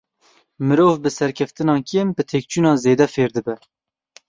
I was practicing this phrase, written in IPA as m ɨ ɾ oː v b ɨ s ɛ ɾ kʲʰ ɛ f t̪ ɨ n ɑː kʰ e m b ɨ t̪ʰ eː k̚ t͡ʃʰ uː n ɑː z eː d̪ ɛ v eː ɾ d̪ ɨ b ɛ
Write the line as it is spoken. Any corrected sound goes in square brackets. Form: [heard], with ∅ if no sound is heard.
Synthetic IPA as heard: m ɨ ɾ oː v b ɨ s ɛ ɾ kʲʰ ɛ f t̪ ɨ n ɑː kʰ e m b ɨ t̪ʰ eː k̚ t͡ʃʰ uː n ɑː z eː d̪ ɛ [f] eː ɾ d̪ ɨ b ɛ